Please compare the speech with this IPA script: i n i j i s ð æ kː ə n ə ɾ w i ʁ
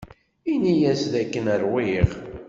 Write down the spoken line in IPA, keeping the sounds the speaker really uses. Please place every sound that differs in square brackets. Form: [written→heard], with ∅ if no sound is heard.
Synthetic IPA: i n i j [i→æ] s ð æ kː ə n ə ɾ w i ʁ